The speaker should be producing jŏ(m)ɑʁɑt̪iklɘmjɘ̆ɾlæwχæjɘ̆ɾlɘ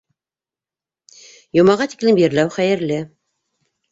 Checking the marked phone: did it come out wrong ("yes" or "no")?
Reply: no